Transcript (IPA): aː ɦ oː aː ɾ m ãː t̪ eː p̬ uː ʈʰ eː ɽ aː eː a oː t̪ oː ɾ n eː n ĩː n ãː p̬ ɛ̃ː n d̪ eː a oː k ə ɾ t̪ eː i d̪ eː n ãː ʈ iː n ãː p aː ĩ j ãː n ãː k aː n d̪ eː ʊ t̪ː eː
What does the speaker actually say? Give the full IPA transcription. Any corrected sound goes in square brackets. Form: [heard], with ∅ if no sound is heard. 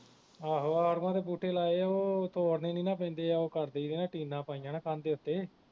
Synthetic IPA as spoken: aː ɦ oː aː ɾ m ãː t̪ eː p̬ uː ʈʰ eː [l] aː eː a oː t̪ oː ɾ n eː n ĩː n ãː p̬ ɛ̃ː n d̪ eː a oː k ə ɾ [d̪] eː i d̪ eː n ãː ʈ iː n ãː p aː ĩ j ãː n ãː k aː n d̪ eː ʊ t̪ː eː